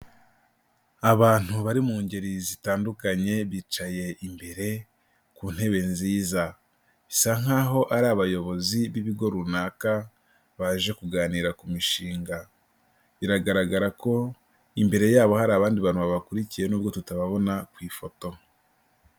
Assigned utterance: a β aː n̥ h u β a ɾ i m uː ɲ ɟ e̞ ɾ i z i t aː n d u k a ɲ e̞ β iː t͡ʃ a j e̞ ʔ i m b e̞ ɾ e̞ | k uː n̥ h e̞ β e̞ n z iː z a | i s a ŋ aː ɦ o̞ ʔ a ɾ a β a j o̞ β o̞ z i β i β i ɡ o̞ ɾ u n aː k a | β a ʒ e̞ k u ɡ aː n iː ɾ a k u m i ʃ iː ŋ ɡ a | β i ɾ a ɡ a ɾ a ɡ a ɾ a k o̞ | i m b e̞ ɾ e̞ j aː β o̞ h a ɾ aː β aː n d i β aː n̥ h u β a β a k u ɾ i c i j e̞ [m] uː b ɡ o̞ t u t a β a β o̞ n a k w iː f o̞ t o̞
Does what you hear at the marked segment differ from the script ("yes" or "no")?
yes